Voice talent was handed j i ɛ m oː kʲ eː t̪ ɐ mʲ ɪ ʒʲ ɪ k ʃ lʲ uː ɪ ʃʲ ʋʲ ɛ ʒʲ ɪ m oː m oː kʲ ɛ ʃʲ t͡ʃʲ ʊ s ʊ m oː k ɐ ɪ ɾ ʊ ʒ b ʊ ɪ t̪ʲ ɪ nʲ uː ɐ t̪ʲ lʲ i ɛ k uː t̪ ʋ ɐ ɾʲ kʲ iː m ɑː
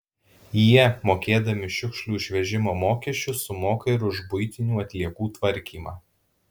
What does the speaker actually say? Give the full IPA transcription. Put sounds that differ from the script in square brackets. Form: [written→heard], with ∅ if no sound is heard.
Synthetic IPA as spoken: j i ɛ m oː kʲ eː [t̪→d̪] ɐ mʲ ɪ [ʒʲ→ʃʲ] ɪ k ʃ lʲ uː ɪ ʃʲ ʋʲ ɛ ʒʲ ɪ m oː m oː kʲ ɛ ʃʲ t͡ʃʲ ʊ s ʊ m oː k ɐ ɪ ɾ ʊ ʒ b ʊ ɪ t̪ʲ ɪ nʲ uː ɐ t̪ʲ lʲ i ɛ k uː t̪ ʋ ɐ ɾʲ kʲ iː m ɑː